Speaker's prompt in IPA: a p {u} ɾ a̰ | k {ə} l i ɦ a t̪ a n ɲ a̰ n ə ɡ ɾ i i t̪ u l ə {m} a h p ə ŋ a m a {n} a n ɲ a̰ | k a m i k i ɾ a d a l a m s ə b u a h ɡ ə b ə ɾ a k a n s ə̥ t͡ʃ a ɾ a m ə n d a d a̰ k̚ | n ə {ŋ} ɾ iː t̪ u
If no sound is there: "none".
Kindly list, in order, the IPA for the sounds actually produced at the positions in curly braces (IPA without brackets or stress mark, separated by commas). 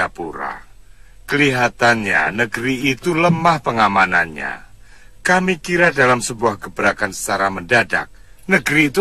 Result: u, ə, m, n, ɡ